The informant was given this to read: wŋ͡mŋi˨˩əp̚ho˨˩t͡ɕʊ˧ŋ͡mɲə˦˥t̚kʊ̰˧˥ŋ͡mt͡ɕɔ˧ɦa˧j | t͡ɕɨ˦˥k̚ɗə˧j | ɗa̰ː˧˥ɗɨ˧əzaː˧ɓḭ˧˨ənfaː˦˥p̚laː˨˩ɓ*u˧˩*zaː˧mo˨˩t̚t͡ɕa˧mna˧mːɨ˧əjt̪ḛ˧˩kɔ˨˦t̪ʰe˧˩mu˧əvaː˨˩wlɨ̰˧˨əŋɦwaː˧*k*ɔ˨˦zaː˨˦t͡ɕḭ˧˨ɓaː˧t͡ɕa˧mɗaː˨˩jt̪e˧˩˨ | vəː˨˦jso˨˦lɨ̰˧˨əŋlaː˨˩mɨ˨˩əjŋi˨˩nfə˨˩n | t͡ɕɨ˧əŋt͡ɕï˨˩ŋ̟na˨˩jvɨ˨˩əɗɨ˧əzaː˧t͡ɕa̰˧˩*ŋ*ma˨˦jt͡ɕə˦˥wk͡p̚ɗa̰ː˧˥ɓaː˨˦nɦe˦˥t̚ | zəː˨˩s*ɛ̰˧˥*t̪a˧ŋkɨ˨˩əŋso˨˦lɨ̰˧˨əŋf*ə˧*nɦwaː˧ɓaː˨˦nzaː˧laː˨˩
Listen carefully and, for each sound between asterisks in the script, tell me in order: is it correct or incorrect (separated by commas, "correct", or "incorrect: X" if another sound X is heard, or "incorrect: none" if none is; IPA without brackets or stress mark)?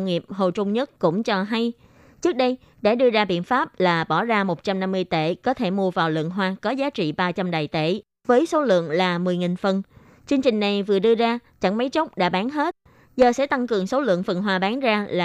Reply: incorrect: ɔ˧˩, correct, correct, correct, incorrect: ə˨˩